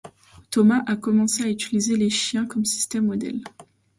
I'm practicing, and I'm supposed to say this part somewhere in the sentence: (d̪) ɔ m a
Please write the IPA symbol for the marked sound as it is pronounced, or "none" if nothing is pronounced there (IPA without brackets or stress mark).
t̪